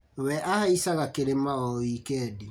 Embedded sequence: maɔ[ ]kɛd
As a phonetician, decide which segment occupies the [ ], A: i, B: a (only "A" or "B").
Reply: A